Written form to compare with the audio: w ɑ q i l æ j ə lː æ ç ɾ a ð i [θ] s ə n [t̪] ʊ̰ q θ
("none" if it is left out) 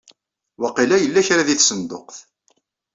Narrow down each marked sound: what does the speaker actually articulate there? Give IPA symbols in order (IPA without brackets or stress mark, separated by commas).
θ, d̪